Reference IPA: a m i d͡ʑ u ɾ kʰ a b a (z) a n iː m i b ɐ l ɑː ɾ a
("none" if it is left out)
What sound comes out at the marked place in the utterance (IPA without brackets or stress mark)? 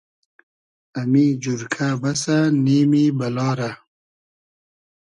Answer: s